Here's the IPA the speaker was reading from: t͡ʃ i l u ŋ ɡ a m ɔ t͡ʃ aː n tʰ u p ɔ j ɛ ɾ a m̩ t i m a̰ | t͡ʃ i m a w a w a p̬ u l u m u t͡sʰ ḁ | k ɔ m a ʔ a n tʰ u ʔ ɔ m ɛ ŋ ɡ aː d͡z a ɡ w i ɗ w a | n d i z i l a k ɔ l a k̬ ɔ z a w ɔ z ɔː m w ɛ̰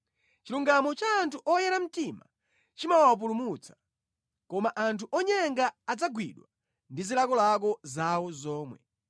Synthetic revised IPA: t͡ʃ i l u ŋ ɡ a m ɔ t͡ʃ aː n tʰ u ʔ ɔ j ɛ ɾ a m̩ t i m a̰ | t͡ʃ i m a w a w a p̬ u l u m u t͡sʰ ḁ | k ɔ m a ʔ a n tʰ u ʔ ɔ ɲ ɛ ŋ ɡ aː d͡z a ɡ w i ɗ w a | n d i z i l a k ɔ l a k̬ ɔ z a w ɔ z ɔː m w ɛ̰